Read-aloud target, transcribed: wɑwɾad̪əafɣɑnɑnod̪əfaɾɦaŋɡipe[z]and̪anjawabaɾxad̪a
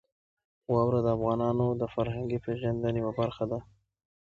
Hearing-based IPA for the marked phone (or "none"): ʒ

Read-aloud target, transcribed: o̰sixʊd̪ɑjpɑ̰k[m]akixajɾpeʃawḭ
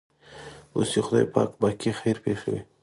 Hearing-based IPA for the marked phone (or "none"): b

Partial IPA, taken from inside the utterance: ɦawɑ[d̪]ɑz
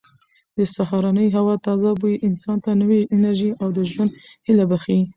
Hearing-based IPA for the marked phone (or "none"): t̪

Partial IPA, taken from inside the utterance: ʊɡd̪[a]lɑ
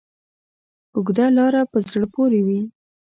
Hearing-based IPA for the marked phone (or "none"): a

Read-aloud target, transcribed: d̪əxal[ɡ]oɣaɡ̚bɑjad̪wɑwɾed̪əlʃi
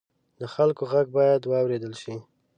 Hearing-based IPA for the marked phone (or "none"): k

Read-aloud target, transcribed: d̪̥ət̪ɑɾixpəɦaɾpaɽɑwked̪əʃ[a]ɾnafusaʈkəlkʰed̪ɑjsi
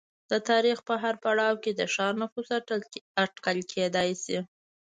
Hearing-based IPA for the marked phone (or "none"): ɑ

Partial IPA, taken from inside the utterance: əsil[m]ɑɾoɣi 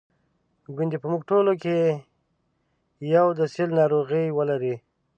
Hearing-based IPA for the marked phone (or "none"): n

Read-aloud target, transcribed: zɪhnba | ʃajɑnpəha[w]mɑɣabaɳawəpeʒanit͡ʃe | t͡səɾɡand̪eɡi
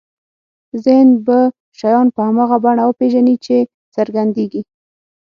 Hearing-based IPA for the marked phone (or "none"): none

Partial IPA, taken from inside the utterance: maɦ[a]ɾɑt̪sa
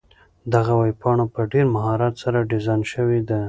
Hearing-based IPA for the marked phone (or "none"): ɑ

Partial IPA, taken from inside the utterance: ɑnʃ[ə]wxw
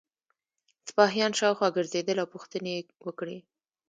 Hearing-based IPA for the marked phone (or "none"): ɑ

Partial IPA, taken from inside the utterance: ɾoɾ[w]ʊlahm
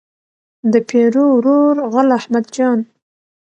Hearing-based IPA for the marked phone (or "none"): ɣ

